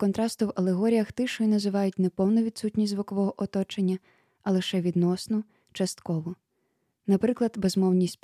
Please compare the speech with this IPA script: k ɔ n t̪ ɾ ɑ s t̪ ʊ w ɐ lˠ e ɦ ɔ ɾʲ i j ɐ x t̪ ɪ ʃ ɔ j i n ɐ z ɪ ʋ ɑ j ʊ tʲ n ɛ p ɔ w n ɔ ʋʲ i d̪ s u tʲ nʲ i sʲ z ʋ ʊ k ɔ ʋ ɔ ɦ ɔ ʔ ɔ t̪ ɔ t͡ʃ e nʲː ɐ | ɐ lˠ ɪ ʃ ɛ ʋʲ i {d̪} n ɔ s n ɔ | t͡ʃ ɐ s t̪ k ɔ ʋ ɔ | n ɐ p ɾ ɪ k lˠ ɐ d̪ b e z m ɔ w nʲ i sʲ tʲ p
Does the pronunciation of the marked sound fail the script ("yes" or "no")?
no